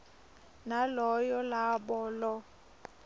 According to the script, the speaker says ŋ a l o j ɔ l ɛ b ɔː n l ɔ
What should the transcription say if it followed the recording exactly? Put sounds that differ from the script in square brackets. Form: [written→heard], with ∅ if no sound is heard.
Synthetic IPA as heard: [ŋ→n] a l [o→ɔ] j ɔ l [ɛ→a] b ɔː [n→∅] l ɔ